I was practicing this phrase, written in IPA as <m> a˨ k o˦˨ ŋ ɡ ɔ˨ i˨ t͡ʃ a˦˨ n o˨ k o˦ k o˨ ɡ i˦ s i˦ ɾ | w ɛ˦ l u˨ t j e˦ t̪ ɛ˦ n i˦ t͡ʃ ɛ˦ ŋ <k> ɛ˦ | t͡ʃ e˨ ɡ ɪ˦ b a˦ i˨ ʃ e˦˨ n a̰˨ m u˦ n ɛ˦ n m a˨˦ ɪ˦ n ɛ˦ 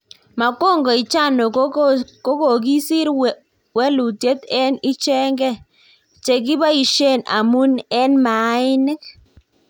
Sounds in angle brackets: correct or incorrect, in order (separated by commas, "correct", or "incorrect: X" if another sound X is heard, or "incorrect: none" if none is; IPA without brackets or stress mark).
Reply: correct, incorrect: ɡ